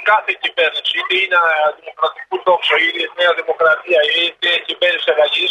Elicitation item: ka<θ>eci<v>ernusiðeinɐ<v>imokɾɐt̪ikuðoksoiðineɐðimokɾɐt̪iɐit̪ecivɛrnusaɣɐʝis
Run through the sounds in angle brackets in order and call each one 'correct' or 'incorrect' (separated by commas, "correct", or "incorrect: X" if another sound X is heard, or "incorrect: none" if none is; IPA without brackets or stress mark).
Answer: correct, correct, incorrect: ð